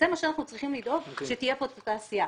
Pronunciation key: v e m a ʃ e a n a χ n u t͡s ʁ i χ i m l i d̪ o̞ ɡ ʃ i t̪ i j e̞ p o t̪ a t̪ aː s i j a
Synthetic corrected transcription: z e m a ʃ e a n a χ n u t͡s ʁ i χ i m l i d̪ o̞ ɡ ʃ e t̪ i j e̞ p o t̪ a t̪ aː s i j a